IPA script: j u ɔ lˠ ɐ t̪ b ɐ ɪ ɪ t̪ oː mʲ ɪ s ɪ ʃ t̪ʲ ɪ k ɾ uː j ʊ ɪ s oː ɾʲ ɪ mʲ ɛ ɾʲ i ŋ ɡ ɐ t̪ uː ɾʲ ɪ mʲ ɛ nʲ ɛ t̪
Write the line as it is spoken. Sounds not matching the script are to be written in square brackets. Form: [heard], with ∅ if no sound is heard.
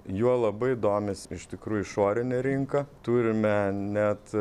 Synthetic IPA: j u ɔ lˠ ɐ [∅] b ɐ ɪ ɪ [d̪] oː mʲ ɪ s ɪ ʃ t̪ʲ ɪ k ɾ uː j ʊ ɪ [ʃ] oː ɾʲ ɪ [nʲ] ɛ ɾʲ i ŋ [k] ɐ t̪ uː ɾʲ ɪ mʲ ɛ nʲ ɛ t̪